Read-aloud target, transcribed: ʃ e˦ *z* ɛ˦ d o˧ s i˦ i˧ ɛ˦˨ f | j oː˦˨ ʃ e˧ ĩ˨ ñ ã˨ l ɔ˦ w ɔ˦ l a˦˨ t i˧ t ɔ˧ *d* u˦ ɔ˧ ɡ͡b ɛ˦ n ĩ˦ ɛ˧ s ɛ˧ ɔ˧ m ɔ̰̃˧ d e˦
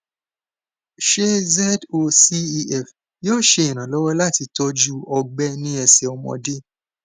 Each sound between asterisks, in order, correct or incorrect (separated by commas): correct, incorrect